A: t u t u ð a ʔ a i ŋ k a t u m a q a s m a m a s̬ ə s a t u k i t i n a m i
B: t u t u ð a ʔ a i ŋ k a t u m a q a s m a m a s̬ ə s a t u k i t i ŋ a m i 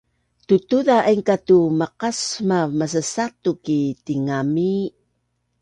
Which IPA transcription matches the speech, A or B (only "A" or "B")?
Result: B